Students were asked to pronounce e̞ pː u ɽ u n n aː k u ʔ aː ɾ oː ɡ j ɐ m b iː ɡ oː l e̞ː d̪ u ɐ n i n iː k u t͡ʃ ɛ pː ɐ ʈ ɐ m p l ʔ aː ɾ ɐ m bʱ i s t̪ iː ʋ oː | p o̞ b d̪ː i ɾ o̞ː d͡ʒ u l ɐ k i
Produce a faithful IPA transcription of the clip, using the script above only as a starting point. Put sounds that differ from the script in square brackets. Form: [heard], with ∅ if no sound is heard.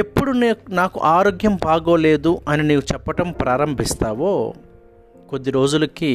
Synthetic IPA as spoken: e̞ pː u ɽ u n n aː k u ʔ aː ɾ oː ɡ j ɐ m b [aː] ɡ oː l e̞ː d̪ u ɐ n i n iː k u t͡ʃ ɛ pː ɐ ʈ ɐ m p [ɾ] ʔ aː ɾ ɐ m bʱ i s t̪ [aː] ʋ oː | [k] o̞ [∅] d̪ː i ɾ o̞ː d͡ʒ u l ɐ k i